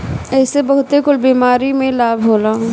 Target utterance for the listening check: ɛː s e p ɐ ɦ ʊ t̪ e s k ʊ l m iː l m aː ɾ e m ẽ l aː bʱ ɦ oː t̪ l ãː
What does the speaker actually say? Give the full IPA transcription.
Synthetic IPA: ɛː s e b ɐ ɦ ʊ t̪ e k ʊ l b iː m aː ɾ i m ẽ l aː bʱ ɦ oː l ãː